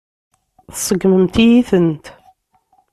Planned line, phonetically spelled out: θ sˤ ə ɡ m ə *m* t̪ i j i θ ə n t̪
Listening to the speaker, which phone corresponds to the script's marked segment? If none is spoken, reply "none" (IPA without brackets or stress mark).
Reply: m